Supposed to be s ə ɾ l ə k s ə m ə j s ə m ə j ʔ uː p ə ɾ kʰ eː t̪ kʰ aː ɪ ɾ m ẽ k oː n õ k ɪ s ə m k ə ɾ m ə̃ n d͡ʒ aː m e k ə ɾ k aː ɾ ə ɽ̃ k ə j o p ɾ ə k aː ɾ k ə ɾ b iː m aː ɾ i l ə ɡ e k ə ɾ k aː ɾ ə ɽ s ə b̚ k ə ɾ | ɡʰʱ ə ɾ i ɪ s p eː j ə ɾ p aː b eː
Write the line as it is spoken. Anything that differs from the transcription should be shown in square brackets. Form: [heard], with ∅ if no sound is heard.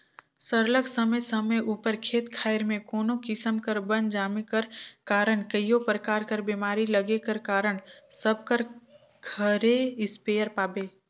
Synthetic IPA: s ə ɾ l ə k s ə m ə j s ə m ə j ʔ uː p ə ɾ kʰ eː t̪ kʰ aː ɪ ɾ m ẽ k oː n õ k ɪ s ə m k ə ɾ [b] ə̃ n d͡ʒ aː m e k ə ɾ k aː ɾ ə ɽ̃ k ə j o p ɾ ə k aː ɾ k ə ɾ b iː m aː ɾ i l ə ɡ e k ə ɾ k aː ɾ ə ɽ s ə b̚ k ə ɾ | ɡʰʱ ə ɾ [e] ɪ s p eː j ə ɾ p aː b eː